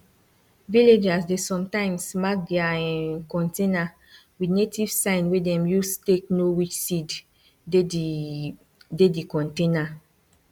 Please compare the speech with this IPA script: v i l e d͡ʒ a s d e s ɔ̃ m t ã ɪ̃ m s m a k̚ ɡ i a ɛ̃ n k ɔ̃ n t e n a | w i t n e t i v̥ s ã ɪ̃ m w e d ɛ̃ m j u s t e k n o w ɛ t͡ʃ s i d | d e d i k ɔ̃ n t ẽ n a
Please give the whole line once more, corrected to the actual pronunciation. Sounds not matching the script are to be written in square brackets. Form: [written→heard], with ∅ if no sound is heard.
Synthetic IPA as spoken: v i l e d͡ʒ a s d e s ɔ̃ m t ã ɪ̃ m s m a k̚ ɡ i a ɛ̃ n k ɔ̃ n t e n a | w i [t→d] n e t i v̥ s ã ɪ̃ [m→n] w e d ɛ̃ m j u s t e k n o w [ɛ→i] t͡ʃ s i d | d e d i k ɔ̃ n t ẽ n a